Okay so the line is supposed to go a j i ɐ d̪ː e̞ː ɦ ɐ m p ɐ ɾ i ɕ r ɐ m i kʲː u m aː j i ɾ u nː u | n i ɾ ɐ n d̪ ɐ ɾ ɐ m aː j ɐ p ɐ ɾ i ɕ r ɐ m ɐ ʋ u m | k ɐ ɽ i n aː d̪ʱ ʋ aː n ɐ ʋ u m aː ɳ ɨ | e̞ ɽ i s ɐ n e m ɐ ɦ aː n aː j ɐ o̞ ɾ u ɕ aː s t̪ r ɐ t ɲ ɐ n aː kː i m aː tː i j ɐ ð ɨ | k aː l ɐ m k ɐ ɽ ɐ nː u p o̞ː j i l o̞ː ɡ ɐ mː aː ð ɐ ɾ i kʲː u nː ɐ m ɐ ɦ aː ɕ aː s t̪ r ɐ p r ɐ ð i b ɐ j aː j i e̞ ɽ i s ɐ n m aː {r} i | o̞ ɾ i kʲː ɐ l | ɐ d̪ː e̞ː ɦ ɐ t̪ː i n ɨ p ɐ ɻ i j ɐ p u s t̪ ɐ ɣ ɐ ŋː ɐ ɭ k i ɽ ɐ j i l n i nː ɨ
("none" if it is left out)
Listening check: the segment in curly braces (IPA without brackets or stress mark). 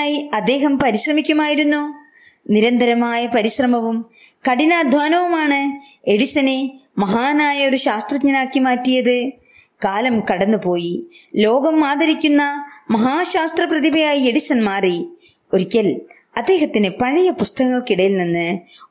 r